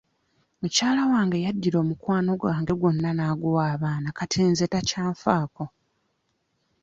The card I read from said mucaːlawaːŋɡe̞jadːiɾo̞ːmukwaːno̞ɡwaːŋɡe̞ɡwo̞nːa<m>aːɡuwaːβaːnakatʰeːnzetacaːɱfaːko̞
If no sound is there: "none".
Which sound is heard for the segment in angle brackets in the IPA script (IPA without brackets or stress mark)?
n